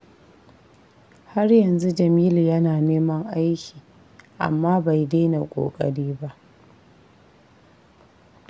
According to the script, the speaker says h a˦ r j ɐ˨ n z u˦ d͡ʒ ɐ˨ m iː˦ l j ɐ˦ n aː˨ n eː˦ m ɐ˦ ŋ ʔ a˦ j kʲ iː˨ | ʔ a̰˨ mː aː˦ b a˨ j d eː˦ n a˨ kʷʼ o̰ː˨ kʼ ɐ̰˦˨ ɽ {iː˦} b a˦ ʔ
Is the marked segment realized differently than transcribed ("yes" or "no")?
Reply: no